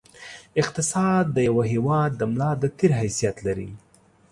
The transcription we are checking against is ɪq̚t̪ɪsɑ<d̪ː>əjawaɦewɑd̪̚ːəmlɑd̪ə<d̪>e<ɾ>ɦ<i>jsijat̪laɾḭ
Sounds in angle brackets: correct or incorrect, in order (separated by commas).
correct, incorrect, correct, incorrect